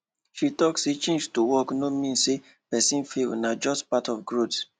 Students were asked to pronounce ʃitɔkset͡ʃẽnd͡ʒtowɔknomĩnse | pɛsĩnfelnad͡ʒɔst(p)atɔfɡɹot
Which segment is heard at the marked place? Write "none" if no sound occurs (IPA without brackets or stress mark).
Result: p